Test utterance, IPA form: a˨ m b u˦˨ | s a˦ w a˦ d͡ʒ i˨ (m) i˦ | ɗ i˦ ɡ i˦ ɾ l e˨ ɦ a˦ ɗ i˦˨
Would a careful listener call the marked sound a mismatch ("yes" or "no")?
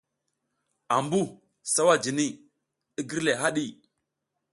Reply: yes